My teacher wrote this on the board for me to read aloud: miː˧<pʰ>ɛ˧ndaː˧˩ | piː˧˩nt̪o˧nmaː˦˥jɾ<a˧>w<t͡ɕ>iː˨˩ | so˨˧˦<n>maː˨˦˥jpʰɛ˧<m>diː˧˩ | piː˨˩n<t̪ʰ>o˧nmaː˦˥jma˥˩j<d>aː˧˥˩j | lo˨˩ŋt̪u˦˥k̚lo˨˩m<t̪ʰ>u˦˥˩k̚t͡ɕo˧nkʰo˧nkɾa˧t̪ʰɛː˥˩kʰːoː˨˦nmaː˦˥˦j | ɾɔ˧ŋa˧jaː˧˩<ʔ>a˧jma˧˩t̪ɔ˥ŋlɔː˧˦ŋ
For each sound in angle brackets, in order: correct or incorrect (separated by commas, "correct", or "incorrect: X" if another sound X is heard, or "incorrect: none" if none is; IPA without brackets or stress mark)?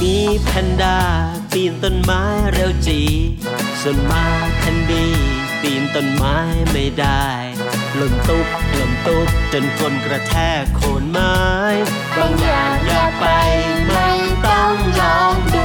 correct, incorrect: e˧, correct, correct, incorrect: n, incorrect: t̪, correct, incorrect: t̪, incorrect: p